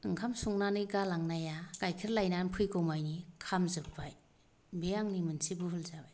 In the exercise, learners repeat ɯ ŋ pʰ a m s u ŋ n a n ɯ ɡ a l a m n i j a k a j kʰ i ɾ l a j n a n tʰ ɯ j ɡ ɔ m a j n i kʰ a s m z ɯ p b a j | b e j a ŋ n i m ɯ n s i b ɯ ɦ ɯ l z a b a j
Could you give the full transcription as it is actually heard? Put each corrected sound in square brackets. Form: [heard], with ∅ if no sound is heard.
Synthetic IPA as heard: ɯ ŋ [kʰ] a m s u ŋ n a n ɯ ɡ a l a [ŋ] n [a] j a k a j kʰ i ɾ l a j n a n [pʰ] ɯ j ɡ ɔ m a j n i kʰ a [∅] m z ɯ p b a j | b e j a ŋ n i m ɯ n s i b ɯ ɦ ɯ l z a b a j